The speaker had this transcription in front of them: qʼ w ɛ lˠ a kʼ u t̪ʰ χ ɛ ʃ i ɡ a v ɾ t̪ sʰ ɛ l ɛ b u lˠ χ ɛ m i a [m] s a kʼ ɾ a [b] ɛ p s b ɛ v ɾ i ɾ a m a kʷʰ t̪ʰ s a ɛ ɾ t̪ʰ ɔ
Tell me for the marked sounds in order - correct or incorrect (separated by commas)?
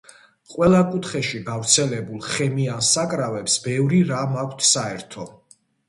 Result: incorrect, incorrect